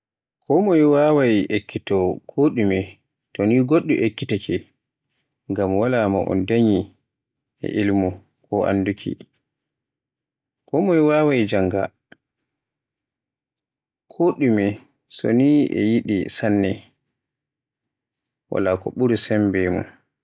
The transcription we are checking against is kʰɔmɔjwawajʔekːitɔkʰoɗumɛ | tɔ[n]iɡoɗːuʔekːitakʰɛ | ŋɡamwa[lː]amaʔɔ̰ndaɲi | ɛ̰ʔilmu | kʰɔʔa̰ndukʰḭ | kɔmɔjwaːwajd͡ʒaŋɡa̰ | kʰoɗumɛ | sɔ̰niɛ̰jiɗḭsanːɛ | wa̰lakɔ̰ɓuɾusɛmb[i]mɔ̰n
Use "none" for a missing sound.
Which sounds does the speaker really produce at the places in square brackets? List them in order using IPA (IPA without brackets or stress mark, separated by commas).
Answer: n, l, ɛ